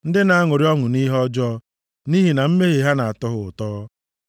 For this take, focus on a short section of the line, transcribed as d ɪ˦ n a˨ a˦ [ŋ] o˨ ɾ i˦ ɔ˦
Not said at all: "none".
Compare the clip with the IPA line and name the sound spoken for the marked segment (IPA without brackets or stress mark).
ŋ